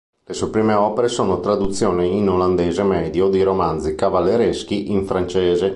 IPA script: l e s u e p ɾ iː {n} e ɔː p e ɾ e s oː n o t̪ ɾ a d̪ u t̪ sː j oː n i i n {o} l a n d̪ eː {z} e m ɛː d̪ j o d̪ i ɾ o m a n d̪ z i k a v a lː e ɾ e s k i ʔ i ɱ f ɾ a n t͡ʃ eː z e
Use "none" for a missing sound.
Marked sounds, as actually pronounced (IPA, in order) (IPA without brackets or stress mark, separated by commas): m, o, z